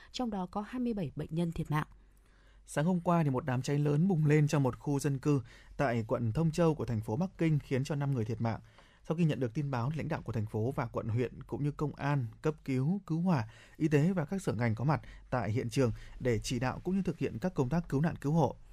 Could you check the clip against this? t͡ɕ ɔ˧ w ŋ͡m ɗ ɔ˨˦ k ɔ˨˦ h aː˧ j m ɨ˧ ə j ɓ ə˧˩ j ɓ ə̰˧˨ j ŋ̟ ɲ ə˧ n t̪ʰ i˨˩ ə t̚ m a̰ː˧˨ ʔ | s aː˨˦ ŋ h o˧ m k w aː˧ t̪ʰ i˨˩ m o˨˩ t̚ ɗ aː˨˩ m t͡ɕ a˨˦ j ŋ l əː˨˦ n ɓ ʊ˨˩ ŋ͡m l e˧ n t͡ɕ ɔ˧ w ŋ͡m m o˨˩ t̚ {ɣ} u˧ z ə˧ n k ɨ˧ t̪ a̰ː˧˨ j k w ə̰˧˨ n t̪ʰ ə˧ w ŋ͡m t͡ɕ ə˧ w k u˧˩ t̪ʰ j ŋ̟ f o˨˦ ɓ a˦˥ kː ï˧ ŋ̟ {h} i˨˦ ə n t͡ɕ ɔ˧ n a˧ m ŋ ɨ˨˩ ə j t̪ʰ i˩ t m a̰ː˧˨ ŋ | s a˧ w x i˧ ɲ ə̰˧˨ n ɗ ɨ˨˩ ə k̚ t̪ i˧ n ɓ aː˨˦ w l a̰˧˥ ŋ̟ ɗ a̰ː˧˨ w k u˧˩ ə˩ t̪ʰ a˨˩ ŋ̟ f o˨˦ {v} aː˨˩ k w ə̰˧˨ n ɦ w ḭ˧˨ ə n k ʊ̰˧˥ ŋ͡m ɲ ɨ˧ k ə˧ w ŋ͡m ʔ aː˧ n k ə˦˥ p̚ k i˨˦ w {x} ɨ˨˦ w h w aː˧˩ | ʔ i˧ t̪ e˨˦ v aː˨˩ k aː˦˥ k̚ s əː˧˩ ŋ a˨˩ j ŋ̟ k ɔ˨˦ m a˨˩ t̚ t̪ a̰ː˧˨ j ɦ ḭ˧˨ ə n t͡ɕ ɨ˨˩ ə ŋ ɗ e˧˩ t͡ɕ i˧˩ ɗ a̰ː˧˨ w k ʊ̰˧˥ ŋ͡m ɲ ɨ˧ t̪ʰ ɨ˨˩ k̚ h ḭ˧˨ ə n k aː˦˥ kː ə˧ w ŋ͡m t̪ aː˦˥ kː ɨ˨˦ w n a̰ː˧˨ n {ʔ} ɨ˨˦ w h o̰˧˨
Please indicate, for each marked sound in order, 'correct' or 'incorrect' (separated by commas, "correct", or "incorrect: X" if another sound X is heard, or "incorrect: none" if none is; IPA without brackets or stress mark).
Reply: incorrect: x, incorrect: x, correct, incorrect: k, incorrect: k